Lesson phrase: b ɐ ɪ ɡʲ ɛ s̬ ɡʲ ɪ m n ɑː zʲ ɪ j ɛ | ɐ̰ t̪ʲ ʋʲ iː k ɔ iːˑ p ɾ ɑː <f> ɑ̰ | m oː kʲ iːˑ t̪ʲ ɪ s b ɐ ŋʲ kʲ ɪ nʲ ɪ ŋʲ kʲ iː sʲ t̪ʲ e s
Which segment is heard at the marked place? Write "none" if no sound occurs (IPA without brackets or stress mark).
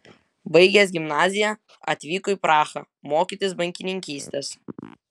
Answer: x